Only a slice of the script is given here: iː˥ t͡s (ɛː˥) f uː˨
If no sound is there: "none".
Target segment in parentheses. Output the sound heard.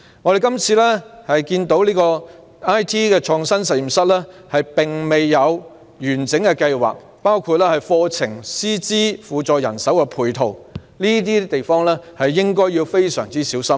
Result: iː˥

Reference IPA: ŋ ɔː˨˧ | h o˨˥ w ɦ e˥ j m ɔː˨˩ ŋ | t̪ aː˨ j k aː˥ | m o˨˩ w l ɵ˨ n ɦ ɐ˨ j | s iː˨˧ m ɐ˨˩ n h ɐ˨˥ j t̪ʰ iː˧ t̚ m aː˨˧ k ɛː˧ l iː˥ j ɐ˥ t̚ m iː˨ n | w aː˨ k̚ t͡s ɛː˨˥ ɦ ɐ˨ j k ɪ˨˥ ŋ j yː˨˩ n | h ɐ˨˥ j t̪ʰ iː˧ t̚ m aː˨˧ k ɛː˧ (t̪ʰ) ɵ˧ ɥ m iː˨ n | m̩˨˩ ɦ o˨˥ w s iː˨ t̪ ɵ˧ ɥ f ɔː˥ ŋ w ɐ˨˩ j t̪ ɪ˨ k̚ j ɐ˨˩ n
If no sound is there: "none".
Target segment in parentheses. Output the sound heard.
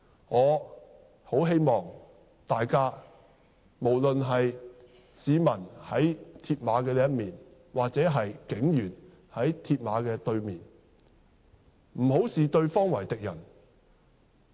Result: t̪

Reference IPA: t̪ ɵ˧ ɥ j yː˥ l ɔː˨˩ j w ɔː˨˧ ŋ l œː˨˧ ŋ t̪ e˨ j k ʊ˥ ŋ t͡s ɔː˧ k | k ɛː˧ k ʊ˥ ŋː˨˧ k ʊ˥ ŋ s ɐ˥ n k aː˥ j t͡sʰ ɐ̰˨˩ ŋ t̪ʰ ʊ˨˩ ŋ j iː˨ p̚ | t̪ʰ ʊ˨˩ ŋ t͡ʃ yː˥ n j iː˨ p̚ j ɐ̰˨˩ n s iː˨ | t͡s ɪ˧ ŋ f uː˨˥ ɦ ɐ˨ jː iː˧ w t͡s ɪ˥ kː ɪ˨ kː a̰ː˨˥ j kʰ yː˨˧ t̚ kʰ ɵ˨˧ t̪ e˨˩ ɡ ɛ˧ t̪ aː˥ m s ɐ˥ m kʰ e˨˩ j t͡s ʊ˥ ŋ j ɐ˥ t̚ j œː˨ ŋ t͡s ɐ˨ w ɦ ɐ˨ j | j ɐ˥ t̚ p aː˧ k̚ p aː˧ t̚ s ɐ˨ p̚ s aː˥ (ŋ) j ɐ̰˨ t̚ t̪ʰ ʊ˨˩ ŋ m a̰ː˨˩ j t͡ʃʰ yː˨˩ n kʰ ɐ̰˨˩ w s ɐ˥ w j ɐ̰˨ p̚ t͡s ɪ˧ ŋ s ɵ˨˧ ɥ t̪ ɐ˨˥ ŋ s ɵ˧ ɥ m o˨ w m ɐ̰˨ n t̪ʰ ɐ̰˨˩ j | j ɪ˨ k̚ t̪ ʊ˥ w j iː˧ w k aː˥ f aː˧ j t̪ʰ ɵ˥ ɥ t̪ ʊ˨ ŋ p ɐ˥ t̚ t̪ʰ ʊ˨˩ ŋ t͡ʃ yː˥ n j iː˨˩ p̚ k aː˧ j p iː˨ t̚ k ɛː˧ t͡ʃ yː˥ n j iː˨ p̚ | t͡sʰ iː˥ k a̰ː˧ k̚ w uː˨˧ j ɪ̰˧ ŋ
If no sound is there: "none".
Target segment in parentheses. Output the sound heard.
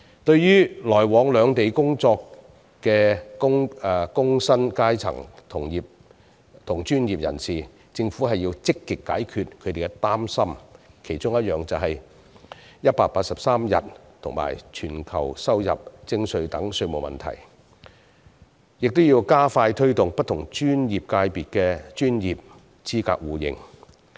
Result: m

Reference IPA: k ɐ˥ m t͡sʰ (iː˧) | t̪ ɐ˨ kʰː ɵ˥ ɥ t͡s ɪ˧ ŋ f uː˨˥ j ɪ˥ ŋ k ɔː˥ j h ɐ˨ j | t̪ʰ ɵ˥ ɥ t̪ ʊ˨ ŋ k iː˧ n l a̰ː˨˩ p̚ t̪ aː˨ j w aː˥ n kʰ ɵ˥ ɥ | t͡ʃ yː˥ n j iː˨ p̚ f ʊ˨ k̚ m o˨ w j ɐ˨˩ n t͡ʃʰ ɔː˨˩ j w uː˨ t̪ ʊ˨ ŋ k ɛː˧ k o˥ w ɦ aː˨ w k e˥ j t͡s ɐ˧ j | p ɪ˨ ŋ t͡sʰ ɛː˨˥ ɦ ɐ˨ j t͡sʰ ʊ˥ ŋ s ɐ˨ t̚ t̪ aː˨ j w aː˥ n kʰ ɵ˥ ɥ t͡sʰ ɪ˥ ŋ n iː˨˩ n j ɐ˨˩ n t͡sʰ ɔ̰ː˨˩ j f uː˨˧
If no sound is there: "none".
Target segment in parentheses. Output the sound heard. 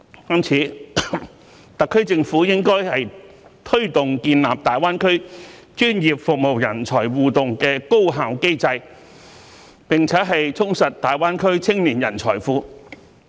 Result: iː˨˥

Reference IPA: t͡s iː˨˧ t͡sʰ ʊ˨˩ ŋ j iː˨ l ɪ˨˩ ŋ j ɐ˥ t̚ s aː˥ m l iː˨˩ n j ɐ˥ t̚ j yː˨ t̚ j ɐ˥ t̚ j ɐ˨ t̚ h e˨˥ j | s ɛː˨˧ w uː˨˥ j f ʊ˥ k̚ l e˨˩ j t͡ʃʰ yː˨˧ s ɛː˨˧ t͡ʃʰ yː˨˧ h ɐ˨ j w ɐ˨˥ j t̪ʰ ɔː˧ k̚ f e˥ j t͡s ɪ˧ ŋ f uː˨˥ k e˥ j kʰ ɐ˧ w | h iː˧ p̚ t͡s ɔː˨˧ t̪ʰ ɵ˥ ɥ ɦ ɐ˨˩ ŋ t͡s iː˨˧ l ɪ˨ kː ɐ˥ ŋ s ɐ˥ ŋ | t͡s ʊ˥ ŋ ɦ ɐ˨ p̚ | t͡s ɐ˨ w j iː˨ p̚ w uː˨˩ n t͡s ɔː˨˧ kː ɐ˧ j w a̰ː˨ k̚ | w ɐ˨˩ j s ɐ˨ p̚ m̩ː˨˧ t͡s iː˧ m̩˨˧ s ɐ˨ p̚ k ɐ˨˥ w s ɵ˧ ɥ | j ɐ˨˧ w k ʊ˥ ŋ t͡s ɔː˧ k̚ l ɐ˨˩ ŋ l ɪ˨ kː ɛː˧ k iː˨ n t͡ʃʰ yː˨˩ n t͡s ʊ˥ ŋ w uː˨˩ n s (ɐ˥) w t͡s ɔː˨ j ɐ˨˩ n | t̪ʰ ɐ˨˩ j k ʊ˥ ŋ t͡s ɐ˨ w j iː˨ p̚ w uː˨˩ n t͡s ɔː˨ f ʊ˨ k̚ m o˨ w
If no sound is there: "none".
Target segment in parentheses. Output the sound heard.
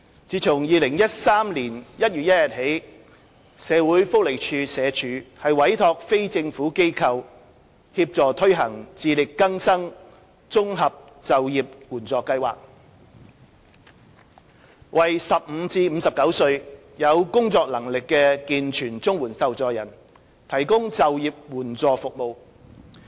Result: ɐ˨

